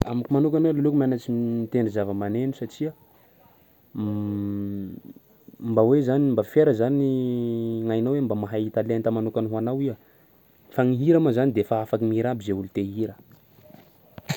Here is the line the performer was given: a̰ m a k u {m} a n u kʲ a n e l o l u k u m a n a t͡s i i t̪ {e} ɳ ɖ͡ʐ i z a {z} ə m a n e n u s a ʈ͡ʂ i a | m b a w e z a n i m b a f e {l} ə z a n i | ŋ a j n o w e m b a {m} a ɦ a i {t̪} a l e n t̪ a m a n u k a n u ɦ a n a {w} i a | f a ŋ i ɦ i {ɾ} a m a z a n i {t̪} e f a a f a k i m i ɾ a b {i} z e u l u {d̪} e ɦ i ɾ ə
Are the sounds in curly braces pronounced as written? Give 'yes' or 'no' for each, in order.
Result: yes, yes, no, no, yes, yes, yes, yes, no, yes, no

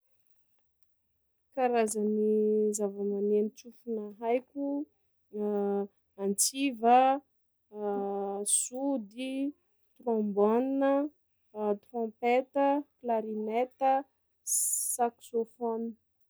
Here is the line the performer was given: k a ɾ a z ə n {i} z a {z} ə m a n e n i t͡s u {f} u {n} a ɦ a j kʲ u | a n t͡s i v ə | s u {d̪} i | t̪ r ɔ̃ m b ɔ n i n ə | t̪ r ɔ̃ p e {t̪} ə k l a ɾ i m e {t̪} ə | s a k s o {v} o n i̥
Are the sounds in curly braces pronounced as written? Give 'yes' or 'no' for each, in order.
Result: yes, no, yes, yes, yes, yes, yes, no

